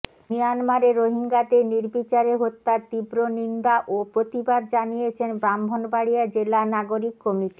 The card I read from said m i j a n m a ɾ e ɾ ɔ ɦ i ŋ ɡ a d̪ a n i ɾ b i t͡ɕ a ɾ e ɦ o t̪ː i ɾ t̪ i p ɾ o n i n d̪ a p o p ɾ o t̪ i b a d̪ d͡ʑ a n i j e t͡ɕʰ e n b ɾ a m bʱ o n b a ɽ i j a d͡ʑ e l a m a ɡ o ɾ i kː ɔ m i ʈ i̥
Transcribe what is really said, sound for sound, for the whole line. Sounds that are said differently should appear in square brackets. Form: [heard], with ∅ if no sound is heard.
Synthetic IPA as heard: m i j a n m a ɾ e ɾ [o] ɦ i ŋ ɡ a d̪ [e] n i ɾ b i t͡ɕ a ɾ e ɦ o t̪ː [a] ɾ t̪ i [b] ɾ o n i n d̪ a [ʔ] o p ɾ o t̪ i b a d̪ d͡ʑ a n i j e t͡ɕʰ e n b ɾ a m bʱ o n b a ɽ i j a d͡ʑ e l a [n] a ɡ o ɾ i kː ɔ m i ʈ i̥

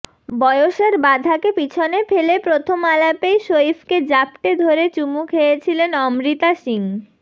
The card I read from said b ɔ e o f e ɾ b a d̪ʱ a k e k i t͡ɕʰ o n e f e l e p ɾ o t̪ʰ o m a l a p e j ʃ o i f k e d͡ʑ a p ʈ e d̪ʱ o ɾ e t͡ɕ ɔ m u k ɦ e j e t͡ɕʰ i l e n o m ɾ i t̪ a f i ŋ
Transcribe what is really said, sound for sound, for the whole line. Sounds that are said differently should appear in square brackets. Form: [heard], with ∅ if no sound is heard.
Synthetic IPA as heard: b ɔ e o [ʃ] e ɾ b a d̪ʱ a k e [p] i t͡ɕʰ o n e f e l e p ɾ o t̪ʰ o m a l a p e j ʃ o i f k e d͡ʑ a p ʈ e d̪ʱ o ɾ e t͡ɕ [u] m u k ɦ e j e t͡ɕʰ i l e n [ɔ] m ɾ i t̪ a [ʃ] i ŋ

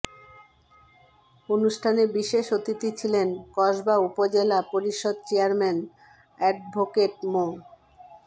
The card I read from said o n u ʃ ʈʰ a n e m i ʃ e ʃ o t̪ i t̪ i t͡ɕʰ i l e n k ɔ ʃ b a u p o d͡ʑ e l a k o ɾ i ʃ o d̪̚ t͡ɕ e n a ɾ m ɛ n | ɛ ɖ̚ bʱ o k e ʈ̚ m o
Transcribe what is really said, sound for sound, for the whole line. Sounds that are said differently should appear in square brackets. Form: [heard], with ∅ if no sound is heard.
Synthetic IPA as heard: o n u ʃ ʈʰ a n e [b] i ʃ e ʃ o t̪ i t̪ i t͡ɕʰ i l e n k ɔ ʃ b a u p o d͡ʑ e l a [p] o ɾ i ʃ o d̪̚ t͡ɕ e [∅] a ɾ m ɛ n | ɛ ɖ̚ bʱ o k e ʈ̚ m o

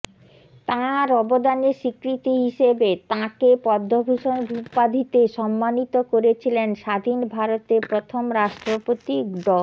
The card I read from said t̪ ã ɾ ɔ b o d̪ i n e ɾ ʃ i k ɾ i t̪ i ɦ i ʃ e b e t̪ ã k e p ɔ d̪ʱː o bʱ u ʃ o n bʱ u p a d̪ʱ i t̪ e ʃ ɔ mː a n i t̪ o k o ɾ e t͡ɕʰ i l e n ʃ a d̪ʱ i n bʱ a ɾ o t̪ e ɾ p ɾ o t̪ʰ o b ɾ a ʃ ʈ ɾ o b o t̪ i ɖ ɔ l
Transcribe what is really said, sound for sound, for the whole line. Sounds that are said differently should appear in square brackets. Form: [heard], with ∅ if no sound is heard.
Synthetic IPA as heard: t̪ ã ɾ ɔ b o d̪ [a] n e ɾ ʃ i k ɾ i t̪ i ɦ i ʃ e b e t̪ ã k e p ɔ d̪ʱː o bʱ u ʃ o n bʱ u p a d̪ʱ i t̪ e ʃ ɔ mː a n i t̪ o k o ɾ e t͡ɕʰ i l e n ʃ a d̪ʱ i n bʱ a ɾ o t̪ e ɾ p ɾ o t̪ʰ o [m] ɾ a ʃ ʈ ɾ o [p] o t̪ i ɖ ɔ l

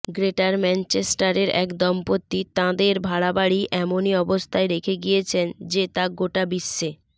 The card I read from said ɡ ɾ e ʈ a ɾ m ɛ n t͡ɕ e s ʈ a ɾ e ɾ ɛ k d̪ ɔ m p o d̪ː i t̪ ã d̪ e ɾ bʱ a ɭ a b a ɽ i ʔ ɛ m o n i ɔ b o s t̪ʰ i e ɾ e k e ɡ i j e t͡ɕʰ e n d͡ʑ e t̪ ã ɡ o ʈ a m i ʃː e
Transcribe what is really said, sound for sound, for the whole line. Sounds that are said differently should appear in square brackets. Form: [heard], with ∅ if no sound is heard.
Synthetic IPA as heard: ɡ ɾ e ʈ a ɾ m ɛ n t͡ɕ e s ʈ a ɾ e ɾ ɛ k d̪ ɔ m p o [t̪ː] i t̪ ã d̪ e ɾ bʱ a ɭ a b a ɽ i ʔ ɛ m o n i ɔ b o s t̪ʰ [a] e ɾ e [kʰ] e ɡ i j e t͡ɕʰ e n d͡ʑ e t̪ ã ɡ o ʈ a [b] i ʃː e

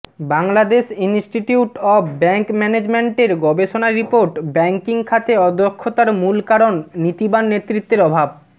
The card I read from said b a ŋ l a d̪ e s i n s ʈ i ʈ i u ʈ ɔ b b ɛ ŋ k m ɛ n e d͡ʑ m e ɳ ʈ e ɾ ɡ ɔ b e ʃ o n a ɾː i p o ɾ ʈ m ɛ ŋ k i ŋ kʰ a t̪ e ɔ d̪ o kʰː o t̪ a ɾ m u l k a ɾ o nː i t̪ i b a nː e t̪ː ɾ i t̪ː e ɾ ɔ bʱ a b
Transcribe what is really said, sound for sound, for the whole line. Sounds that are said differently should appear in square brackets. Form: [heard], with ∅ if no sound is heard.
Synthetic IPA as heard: b a ŋ l a d̪ e [ʃ] i n s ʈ i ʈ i u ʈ ɔ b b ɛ ŋ k m ɛ n e d͡ʑ m e ɳ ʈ e ɾ ɡ ɔ b e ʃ o n a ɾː i p o ɾ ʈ [b] ɛ ŋ k i ŋ kʰ a t̪ e ɔ d̪ o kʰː o t̪ a ɾ m u l k a ɾ o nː i t̪ i b a nː e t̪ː ɾ i t̪ː e ɾ ɔ bʱ a b

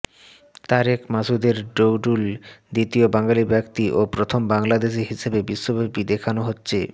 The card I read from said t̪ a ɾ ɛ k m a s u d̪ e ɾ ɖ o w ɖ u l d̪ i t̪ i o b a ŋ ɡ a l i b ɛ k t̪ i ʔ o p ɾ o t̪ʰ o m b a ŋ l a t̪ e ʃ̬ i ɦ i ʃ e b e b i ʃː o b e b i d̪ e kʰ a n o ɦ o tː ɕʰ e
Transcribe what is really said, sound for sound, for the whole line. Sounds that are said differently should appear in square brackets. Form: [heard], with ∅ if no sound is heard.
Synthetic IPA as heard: t̪ a ɾ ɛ k m a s u d̪ e ɾ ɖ o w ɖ u l d̪ i t̪ i o b a ŋ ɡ a l i b ɛ k t̪ i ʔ o p ɾ o t̪ʰ o m b a ŋ l a [d̪] e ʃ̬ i ɦ i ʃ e b e b i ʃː o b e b i d̪ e kʰ a n o ɦ o tː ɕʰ e

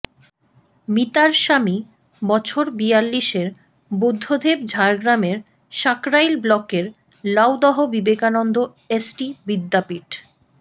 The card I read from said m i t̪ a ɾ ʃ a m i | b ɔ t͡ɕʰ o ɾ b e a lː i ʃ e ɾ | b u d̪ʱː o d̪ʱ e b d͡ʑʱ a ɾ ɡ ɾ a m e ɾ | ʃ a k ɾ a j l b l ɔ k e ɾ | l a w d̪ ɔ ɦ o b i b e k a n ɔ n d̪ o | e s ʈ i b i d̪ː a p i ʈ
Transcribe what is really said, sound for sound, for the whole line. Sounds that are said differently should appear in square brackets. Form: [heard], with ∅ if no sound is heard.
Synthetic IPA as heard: m i t̪ a ɾ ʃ a m i | b ɔ t͡ɕʰ o ɾ b [i] a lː i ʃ e ɾ | b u d̪ʱː o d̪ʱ e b d͡ʑʱ a ɾ ɡ ɾ a m e ɾ | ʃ a k ɾ a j l b l ɔ k e ɾ | l a w d̪ ɔ ɦ o b i b e k a n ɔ n d̪ o | e s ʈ i b i d̪ː a p i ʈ

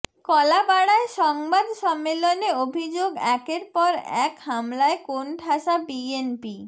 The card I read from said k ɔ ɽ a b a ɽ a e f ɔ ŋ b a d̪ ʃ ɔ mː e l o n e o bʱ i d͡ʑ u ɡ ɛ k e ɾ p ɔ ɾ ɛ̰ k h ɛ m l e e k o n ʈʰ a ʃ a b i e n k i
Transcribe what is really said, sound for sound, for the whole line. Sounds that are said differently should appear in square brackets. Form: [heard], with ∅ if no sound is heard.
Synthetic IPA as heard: k ɔ [l] a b a ɽ a e [ʃ] ɔ ŋ b a d̪ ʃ ɔ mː e l o n e o bʱ i d͡ʑ [o] ɡ ɛ k e ɾ p ɔ ɾ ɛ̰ k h [a] m l [a] e k o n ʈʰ a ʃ a b i e n [p] i

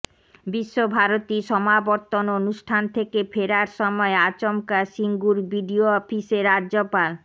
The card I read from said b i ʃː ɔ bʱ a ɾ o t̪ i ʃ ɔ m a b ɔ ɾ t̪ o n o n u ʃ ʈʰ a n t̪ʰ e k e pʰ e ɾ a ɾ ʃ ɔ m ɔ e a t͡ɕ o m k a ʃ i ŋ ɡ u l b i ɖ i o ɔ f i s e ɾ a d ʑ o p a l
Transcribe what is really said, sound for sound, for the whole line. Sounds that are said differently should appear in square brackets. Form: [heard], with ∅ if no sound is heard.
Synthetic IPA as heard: b i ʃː [o] bʱ a ɾ o t̪ i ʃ ɔ m a b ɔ ɾ t̪ o n o n u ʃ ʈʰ a n t̪ʰ e k e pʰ e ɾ a ɾ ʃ ɔ m ɔ e a t͡ɕ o m k a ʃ i ŋ ɡ u [ɾ] b i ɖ i o ɔ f i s e ɾ a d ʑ o p a l

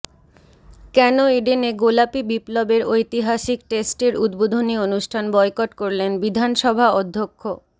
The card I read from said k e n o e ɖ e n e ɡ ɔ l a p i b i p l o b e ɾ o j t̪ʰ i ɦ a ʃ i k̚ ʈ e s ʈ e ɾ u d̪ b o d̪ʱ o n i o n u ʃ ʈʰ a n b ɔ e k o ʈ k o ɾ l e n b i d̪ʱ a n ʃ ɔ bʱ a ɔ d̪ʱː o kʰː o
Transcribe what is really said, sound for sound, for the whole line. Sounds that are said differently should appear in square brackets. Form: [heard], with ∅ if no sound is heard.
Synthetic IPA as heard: k [ɛ] n o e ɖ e n e ɡ [o] l a p i b i p l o b e ɾ o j [t̪] i ɦ a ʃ i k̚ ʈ e s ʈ e ɾ u d̪ b o d̪ʱ o n i o n u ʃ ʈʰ a n b ɔ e k o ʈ k o ɾ l e n b i d̪ʱ a n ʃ ɔ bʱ a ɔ d̪ʱː o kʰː o

